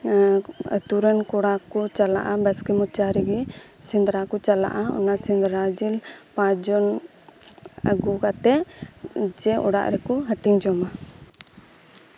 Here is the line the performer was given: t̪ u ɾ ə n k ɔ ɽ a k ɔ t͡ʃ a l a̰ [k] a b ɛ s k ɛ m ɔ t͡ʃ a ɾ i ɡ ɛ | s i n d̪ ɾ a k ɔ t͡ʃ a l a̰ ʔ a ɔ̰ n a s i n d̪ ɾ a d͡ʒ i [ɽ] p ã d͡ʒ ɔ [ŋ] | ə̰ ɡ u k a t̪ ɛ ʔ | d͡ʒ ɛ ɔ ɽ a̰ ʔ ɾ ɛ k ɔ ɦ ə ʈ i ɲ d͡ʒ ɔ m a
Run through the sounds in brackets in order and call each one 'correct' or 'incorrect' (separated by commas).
incorrect, incorrect, incorrect